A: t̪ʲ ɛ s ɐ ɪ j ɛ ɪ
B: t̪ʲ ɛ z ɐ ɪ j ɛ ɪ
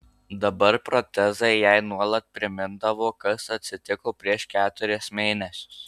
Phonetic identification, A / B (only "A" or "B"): B